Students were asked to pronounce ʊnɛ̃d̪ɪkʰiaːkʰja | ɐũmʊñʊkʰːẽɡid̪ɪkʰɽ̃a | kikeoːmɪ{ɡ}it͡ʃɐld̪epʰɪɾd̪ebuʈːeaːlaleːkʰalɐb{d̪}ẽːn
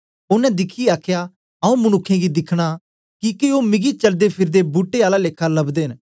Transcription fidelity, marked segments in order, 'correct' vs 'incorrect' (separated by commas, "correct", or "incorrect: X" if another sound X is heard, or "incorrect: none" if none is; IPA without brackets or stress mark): correct, correct